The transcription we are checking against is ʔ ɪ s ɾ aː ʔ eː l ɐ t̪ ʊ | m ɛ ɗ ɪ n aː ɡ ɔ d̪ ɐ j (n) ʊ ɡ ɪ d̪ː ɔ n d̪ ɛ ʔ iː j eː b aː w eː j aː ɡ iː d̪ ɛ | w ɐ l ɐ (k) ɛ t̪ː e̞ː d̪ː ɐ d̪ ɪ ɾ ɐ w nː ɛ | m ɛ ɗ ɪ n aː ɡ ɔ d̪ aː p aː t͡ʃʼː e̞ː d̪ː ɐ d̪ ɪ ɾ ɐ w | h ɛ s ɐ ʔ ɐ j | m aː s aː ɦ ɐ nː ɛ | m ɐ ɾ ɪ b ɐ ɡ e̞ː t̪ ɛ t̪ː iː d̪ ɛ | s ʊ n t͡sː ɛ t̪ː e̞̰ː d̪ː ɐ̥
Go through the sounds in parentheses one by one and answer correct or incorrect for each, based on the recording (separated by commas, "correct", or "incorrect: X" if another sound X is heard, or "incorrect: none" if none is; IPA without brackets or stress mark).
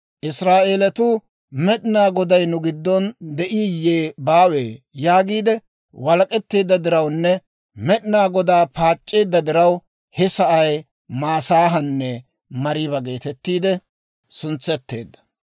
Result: correct, incorrect: kʼ